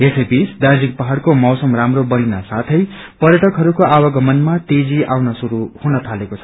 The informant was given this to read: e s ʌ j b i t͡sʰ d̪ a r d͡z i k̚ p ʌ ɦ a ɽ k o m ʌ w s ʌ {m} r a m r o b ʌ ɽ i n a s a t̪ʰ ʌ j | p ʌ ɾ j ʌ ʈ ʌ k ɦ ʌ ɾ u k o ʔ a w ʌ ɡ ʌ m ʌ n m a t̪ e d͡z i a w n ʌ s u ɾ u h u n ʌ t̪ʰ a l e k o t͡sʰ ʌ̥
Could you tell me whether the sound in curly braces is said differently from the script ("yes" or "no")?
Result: no